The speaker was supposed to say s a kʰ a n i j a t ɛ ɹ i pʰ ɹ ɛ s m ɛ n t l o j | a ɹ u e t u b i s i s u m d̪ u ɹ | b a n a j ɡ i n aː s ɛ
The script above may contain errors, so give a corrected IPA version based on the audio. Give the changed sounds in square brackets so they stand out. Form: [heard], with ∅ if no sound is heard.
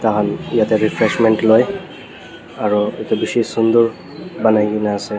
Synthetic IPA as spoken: [t] a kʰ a n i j a t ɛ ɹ i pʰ ɹ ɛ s m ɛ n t l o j | a ɹ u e t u b i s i s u [n] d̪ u ɹ | b a n a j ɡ i n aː s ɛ